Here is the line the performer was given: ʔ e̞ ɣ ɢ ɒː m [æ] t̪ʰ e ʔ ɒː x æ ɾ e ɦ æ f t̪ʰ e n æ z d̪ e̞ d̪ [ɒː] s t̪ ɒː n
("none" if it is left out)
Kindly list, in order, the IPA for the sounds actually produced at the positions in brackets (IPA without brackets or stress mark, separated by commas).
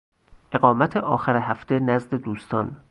æ, uː